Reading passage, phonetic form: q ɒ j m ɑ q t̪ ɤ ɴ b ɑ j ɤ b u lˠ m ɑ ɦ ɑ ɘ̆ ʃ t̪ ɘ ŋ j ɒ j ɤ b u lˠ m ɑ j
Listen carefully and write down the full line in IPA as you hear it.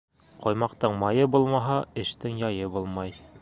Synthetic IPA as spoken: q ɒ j m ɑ q t̪ ɤ ɴ m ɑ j ɤ b u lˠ m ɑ ɦ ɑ ɘ̆ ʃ t̪ ɘ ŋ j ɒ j ɤ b u lˠ m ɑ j